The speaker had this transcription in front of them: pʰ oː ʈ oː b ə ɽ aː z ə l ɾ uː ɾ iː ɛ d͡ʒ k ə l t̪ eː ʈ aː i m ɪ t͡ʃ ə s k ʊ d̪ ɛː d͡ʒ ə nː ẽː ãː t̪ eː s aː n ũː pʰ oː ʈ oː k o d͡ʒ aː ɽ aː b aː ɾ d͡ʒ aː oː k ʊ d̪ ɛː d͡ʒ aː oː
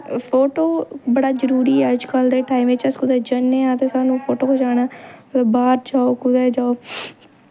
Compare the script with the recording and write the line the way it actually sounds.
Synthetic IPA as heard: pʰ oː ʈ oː b ə ɽ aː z ə ɾ uː ɾ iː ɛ d͡ʒ k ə l d̪ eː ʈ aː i m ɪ t͡ʃ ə s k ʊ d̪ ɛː d͡ʒ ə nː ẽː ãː t̪ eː s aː n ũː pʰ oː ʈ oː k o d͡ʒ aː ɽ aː b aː ɾ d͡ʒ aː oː k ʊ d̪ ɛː d͡ʒ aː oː